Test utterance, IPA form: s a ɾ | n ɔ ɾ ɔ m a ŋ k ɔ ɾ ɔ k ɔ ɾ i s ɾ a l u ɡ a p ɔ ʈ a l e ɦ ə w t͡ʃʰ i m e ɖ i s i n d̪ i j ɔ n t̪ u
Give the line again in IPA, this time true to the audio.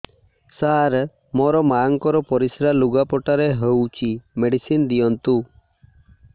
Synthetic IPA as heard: s a ɾ | m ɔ ɾ ɔ m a ŋ k ɔ ɾ ɔ p ɔ ɾ i s ɾ a l u ɡ a p ɔ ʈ a ɾ e ɦ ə w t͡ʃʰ i m e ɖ i s i n d̪ i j ɔ n t̪ u

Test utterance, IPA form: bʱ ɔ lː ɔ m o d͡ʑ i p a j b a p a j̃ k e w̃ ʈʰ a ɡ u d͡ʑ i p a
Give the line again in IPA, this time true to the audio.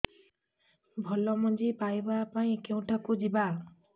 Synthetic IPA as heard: bʱ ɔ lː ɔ m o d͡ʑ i p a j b a p a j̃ k e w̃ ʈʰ a k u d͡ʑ i b a

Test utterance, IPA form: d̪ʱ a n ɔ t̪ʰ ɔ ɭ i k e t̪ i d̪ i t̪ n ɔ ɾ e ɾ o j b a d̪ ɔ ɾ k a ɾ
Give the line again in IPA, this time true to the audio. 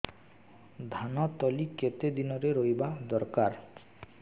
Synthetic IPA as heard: d̪ʱ a n ɔ t̪ ɔ l i k e t̪ e d̪ i n ɔ ɾ e ɾ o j b a d̪ ɔ ɾ k a ɾ

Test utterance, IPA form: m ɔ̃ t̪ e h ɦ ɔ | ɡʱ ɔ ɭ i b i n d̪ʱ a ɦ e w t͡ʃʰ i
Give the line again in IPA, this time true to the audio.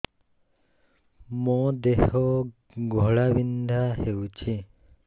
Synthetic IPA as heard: m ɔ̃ d̪ e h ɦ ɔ | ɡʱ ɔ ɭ a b i n d̪ʱ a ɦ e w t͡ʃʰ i

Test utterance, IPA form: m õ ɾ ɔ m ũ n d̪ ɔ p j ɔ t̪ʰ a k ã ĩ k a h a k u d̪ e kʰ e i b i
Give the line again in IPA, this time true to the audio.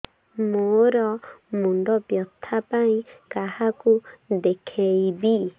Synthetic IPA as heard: m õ ɾ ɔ m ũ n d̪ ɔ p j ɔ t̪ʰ a p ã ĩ k a h a k u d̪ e kʰ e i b i

